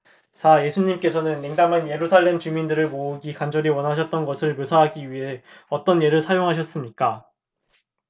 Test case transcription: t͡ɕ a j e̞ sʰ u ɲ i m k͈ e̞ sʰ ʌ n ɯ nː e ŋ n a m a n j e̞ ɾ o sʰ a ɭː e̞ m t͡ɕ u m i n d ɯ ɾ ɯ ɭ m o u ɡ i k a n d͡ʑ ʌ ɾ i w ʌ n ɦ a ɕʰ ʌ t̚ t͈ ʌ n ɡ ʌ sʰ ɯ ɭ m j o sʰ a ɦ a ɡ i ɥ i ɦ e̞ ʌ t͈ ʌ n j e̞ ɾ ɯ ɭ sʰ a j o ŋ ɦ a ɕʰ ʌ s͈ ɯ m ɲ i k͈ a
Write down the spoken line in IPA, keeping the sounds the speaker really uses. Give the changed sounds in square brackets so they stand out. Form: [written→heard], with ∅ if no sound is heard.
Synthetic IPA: t͡ɕ a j e̞ sʰ u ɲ i m k͈ e̞ sʰ ʌ n ɯ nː e ŋ [n→d] a m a n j e̞ ɾ [o→u] sʰ a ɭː e̞ m t͡ɕ u m i n d ɯ ɾ ɯ ɭ m o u ɡ i k a n d͡ʑ ʌ ɾ i w ʌ n ɦ a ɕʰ ʌ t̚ t͈ ʌ n ɡ ʌ sʰ ɯ ɭ m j o sʰ a ɦ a ɡ i ɥ i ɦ e̞ ʌ t͈ ʌ n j e̞ ɾ ɯ ɭ sʰ a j o ŋ ɦ a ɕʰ ʌ s͈ ɯ m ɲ i k͈ a